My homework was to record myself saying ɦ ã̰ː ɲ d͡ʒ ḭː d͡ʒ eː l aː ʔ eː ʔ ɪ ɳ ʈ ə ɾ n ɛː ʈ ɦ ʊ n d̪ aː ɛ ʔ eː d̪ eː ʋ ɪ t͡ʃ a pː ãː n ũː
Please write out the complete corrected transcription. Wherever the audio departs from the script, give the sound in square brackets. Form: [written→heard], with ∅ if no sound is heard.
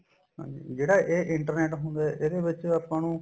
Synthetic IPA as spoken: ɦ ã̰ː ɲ d͡ʒ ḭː d͡ʒ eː [l→ɽ] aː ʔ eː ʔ ɪ ɳ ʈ ə ɾ n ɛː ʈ ɦ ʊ n d̪ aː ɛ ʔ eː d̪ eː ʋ ɪ t͡ʃ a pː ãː n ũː